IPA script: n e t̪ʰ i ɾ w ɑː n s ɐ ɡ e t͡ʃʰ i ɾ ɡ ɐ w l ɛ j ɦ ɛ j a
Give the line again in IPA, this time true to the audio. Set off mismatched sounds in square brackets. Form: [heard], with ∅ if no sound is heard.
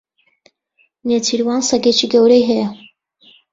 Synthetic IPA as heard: n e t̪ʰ i ɾ w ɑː n s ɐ ɡ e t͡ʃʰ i [∅] ɡ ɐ w [ɾ] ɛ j ɦ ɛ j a